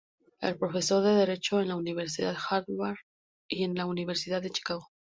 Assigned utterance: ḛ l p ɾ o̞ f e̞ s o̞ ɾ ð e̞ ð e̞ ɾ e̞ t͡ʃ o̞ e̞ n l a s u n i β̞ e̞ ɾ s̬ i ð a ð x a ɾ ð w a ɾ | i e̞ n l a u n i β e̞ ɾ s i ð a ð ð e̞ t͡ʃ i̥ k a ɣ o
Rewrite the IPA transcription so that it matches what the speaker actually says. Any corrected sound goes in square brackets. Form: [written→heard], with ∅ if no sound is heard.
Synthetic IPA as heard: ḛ l p ɾ o̞ f e̞ s o̞ ɾ ð e̞ ð e̞ ɾ e̞ t͡ʃ o̞ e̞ n l a [s→∅] u n i β̞ e̞ ɾ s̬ i ð a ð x a ɾ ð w a ɾ | i e̞ n l a u n i β e̞ ɾ s i ð a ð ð e̞ t͡ʃ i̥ k a ɣ o

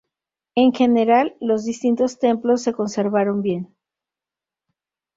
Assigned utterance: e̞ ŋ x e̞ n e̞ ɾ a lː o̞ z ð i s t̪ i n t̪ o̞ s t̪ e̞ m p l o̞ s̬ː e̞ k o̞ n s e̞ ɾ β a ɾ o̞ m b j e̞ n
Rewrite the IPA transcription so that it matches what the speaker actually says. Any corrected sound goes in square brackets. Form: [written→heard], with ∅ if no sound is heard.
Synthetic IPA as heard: e̞ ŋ x e̞ n e̞ ɾ a lː o̞ z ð i s t̪ i n t̪ o̞ s t̪ e̞ m p l o̞ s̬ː e̞ k o̞ n s e̞ ɾ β a ɾ o̞ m b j e̞ n

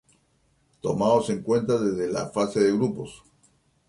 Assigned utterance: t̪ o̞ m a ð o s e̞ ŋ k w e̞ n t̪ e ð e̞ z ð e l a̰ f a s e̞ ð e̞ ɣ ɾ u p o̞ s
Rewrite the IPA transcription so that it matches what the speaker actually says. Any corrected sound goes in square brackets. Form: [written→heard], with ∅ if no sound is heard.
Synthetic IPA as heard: t̪ o̞ m a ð o s e̞ ŋ k w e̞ n t̪ [e→a] ð e̞ z ð e l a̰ f a s e̞ ð e̞ ɣ ɾ u p o̞ s

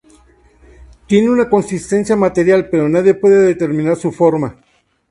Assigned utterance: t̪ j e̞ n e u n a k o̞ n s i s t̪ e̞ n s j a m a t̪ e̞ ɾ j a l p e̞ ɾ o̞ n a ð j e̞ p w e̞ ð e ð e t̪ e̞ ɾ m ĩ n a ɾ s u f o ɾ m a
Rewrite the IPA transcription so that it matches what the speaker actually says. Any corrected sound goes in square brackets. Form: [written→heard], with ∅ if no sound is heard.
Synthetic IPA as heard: t̪ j e̞ n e u n a k o̞ n s i s t̪ e̞ n s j a m a t̪ e̞ ɾ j a l p e̞ ɾ o̞ n a ð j e̞ p w e̞ ð e ð e t̪ e̞ ɾ m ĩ n a ɾ s u f o ɾ m a

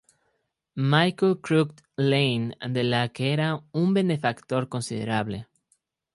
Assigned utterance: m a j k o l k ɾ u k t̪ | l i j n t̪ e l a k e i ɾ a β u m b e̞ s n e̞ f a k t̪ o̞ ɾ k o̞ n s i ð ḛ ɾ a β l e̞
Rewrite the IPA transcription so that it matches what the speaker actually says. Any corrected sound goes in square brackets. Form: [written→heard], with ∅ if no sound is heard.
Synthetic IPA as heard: m a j k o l k ɾ u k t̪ | l [i→e] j n [t̪→d̪] e l a k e [i→e] ɾ a [β→∅] u m b e̞ [s→∅] n e̞ f a k t̪ o̞ ɾ k o̞ n s i ð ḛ ɾ a β l e̞

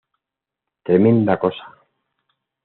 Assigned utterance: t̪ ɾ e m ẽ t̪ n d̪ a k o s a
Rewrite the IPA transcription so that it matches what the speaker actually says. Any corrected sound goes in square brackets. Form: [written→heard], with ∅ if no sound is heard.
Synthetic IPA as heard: t̪ ɾ e m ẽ [t̪→∅] n d̪ a k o s a

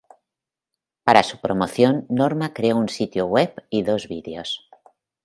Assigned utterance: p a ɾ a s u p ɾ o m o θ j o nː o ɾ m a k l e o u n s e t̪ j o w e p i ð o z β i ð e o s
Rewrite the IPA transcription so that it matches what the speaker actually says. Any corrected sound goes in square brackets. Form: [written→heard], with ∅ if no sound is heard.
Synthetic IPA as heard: p a ɾ a s u p ɾ o m o θ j o nː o ɾ m a k [l→ɾ] e o u n s [e→i] t̪ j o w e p i ð o z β i ð e o s

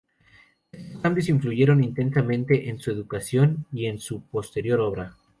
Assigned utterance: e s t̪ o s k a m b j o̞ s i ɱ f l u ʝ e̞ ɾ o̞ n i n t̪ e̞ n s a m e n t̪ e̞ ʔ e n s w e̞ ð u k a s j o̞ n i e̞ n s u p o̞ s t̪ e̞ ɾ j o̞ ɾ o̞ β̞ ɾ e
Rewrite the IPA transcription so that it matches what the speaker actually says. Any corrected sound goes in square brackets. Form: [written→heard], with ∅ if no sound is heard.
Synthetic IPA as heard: e s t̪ o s k a m b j o̞ s i ɱ f l u ʝ e̞ ɾ o̞ n i n t̪ e̞ n s a m [e→ẽ] n t̪ e̞ ʔ e n s [w→u] e̞ ð u k a s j o̞ n i e̞ n s u p o̞ s t̪ e̞ ɾ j o̞ ɾ o̞ β̞ ɾ [e→a]

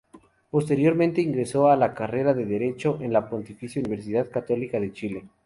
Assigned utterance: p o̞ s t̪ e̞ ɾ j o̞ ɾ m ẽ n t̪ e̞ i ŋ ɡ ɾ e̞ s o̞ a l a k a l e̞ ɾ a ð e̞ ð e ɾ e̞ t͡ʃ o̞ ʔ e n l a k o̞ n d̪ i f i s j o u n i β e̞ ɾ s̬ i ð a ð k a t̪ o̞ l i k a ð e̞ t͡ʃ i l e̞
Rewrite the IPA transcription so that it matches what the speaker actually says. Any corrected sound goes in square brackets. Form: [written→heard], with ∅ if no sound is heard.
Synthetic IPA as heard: p o̞ s t̪ e̞ ɾ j o̞ ɾ m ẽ n t̪ e̞ i ŋ ɡ ɾ e̞ s o̞ a l a k a [l→r] e̞ ɾ a ð e̞ ð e ɾ e̞ t͡ʃ o̞ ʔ e n l a [k→p] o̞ n [d̪→t̪] i f i s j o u n i β e̞ ɾ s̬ i ð a ð k a t̪ o̞ l i k a ð e̞ t͡ʃ i l e̞

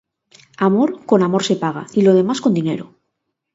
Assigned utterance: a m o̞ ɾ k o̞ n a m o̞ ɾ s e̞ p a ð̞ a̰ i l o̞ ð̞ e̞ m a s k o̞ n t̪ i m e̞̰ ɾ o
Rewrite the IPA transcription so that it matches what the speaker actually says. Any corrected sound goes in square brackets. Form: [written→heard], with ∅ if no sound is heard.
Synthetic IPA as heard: a m o̞ ɾ k o̞ n a m o̞ ɾ s e̞ p a [ð̞→ɣ̞] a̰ i l o̞ ð̞ e̞ m a s k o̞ n [t̪→d̪] i [m→n] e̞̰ ɾ o

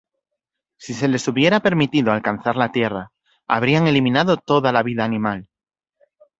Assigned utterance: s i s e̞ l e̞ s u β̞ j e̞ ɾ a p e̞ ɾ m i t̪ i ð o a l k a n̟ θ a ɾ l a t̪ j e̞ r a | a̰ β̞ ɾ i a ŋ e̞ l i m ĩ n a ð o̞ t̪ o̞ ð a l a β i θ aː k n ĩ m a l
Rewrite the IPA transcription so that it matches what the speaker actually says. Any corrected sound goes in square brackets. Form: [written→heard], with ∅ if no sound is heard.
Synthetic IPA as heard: s i s e̞ l e̞ s u β̞ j e̞ ɾ a p e̞ ɾ m i t̪ i ð o a l k a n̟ θ a ɾ l a t̪ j e̞ r a | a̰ β̞ ɾ i a ŋ e̞ l i m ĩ n a ð o̞ t̪ o̞ ð a l a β i [θ→ð] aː [k→∅] n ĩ m a l

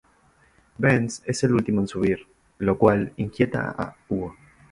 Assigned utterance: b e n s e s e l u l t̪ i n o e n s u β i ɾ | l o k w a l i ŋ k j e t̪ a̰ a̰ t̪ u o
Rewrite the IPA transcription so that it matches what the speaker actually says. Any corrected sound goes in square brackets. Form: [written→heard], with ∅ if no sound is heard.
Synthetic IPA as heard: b e n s e s e l u l t̪ i [n→m] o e n s u β i ɾ | l o k w a l i ŋ k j e t̪ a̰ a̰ [t̪→∅] u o

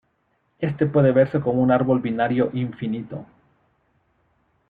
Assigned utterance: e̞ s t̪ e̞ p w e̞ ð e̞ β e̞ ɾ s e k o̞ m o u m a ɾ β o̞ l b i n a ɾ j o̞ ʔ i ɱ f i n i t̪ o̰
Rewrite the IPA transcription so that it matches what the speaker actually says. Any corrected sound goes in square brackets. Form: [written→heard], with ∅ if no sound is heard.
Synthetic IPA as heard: e̞ s t̪ e̞ p w e̞ ð e̞ β e̞ ɾ s e k o̞ m o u [m→n] a ɾ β o̞ l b i n a ɾ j o̞ ʔ i ɱ f i n i t̪ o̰

